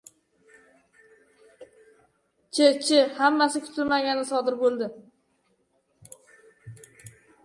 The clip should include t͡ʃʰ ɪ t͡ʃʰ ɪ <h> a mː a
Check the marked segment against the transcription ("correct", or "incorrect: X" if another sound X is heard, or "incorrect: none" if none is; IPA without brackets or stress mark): correct